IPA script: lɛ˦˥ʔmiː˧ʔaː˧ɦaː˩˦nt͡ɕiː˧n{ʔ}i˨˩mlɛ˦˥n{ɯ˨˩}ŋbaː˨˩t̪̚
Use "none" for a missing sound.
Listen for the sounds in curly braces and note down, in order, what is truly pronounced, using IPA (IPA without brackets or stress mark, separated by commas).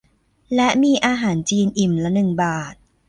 ʔ, ɯ˨˩